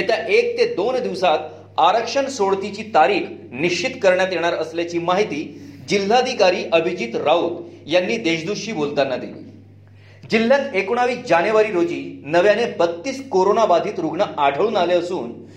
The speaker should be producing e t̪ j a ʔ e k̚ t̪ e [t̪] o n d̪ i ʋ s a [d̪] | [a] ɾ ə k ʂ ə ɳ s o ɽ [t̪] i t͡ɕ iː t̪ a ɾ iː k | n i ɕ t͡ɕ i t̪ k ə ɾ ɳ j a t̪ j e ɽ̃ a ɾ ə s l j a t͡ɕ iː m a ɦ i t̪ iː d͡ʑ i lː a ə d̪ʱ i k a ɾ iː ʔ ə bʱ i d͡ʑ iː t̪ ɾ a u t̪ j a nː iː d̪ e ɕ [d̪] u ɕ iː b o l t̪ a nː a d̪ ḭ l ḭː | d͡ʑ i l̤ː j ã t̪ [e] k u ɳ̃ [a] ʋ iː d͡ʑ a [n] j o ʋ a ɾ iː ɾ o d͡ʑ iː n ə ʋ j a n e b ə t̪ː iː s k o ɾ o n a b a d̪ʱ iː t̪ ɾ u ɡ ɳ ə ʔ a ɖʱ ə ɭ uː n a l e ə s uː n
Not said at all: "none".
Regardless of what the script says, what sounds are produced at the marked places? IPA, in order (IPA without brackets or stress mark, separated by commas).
d̪, t̪, a, t̪, d̪, e, a, n